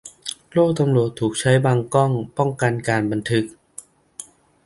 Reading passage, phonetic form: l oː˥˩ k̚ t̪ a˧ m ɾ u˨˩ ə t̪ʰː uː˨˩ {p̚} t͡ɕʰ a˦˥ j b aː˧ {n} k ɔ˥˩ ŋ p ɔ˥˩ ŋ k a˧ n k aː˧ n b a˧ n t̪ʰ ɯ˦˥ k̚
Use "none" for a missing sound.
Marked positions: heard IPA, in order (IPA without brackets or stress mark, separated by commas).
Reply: k̚, ŋ